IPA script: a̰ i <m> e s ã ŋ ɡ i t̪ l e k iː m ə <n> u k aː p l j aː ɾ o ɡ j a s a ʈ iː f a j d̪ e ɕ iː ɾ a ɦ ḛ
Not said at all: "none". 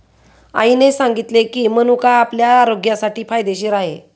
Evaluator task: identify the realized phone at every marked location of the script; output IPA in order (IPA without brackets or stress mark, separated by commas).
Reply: n, n